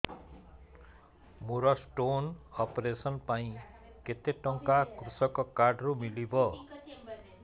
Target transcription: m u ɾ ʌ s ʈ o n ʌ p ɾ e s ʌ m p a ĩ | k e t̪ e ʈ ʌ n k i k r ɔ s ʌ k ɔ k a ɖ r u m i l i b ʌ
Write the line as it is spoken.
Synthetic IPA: m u ɾ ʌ s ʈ o n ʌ p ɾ e s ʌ n p a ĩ | k e t̪ e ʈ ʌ ŋ k a k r u s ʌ k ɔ k a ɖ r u m i l i b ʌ